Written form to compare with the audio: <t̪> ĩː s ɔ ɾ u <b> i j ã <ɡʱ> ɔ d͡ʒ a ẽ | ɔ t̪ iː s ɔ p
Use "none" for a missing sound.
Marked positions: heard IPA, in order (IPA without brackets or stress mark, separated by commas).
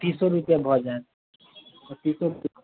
t̪, p, bʱ